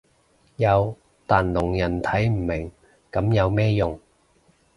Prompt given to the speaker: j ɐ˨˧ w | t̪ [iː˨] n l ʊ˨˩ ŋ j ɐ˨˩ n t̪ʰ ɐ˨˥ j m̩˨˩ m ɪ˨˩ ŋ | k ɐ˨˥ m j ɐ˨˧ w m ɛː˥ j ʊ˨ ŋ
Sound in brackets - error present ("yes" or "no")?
yes